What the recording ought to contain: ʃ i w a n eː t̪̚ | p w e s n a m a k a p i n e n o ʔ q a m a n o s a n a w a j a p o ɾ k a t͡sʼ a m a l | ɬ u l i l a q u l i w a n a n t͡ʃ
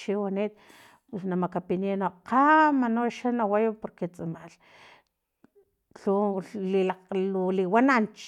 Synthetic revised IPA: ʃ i w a n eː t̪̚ | p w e s n a m a k a p i n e n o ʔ q a m a n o ʃ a n a w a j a p o ɾ k e t͡sʼ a m a l | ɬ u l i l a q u l i w a n a n t͡ʃ